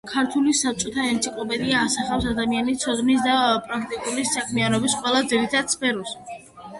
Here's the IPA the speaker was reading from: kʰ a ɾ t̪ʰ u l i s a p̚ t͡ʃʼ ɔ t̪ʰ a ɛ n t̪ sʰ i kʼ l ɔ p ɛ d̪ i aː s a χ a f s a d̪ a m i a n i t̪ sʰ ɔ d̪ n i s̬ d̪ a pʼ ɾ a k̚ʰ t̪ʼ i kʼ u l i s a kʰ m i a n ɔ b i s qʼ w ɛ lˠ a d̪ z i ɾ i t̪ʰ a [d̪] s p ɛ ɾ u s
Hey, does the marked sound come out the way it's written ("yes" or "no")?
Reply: yes